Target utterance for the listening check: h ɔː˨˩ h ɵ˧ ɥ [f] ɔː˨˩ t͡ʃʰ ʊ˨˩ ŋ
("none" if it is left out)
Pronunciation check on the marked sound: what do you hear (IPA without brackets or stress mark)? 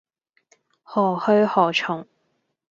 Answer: h